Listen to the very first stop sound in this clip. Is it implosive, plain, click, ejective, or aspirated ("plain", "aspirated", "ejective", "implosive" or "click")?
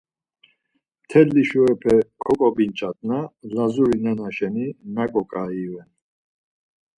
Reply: aspirated